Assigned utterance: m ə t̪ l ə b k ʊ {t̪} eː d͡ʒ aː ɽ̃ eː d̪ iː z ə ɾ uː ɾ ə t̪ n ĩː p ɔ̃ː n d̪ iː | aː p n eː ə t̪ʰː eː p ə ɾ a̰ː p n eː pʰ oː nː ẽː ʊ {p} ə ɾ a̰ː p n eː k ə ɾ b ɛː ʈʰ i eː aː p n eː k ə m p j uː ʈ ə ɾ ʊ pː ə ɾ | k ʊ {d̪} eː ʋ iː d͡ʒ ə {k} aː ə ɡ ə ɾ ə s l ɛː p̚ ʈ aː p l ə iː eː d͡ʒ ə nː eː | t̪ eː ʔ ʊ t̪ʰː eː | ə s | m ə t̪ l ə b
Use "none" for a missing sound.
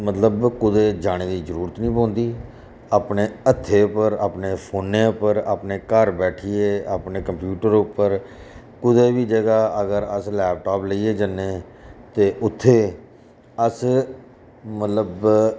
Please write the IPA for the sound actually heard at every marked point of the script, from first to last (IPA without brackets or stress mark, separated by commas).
d̪, p, d̪, ɡ